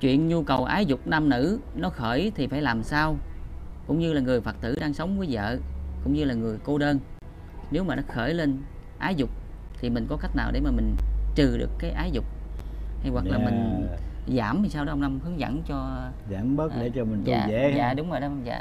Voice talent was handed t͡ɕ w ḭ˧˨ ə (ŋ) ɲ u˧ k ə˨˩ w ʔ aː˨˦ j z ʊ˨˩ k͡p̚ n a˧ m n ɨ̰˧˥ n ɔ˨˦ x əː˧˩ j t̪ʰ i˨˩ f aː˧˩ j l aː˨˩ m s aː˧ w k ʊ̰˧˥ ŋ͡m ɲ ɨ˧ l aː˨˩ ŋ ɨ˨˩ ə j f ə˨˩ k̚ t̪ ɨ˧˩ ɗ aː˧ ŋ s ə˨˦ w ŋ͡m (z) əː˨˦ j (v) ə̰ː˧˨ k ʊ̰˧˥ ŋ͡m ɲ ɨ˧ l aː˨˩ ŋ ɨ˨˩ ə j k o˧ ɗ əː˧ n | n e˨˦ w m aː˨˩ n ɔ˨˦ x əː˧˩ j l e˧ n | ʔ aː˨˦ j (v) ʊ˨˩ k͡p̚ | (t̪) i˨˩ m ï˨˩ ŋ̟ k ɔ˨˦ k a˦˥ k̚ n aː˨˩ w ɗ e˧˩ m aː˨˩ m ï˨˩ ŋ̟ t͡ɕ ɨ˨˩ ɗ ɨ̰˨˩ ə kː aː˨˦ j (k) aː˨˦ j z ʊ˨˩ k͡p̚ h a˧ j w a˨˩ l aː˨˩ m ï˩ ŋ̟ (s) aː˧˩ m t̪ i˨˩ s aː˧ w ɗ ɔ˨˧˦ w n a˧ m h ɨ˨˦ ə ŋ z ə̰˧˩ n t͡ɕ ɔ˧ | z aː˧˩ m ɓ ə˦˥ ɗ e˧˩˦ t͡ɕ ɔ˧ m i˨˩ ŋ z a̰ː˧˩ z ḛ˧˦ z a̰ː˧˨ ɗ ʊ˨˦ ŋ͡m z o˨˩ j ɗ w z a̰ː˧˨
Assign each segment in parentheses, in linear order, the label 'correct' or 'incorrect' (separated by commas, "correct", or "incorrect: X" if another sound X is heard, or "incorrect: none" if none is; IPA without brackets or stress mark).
incorrect: n, incorrect: v, incorrect: z, incorrect: z, incorrect: t̪ʰ, incorrect: ʔ, incorrect: z